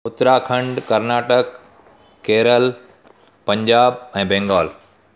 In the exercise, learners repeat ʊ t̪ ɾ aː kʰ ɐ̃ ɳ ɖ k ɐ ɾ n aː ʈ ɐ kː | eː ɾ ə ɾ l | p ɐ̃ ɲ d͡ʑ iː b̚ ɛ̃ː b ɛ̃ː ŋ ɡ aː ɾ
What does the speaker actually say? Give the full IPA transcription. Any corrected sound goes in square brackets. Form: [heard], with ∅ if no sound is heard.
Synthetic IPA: ʊ t̪ ɾ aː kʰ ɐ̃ ɳ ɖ k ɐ ɾ n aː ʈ [ə] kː | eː ɾ ə [∅] l | p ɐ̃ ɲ d͡ʑ [aː] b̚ ɛ̃ː b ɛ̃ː ŋ ɡ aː [l]